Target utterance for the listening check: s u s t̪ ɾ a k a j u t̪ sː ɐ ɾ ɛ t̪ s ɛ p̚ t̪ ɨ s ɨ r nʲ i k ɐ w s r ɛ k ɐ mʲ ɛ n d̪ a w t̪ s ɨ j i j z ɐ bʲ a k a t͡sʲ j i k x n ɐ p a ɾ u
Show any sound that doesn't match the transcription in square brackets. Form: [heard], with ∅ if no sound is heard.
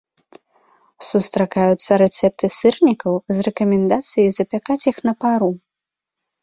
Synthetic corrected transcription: s u s t̪ ɾ a k a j u t̪ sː ɐ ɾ ɛ t̪ s ɛ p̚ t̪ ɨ s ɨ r nʲ i k ɐ w [z] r ɛ k ɐ mʲ ɛ n d̪ a [∅] t̪ s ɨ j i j z ɐ [pʲ] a k a t͡sʲ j i [∅] x n ɐ p a ɾ u